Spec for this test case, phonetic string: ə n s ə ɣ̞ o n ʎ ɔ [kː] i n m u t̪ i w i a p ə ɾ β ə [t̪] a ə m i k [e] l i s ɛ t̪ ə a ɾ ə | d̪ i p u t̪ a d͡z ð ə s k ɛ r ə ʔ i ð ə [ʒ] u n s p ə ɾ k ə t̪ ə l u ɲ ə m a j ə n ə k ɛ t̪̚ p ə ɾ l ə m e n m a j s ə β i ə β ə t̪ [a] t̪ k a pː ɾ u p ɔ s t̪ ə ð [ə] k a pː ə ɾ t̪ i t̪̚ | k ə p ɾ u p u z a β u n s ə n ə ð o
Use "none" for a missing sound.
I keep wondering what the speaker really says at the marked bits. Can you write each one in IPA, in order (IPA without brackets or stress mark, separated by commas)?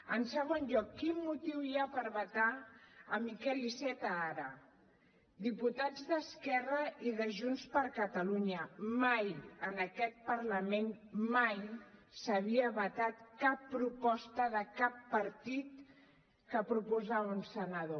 kː, t̪, ɛ, ʒ, a, ə